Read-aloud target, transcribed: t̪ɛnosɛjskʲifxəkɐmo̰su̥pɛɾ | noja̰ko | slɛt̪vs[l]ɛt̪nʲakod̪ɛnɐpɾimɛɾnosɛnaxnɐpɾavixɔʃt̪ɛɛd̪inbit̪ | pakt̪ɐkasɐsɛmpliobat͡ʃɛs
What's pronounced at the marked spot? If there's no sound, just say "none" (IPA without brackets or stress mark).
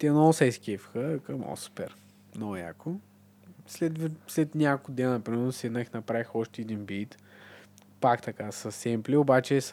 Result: l